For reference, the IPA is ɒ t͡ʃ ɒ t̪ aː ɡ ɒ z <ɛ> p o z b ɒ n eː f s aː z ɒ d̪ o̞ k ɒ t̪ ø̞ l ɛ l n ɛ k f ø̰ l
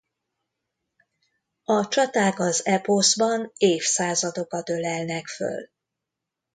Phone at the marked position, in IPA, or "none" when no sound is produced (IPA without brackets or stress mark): ɛ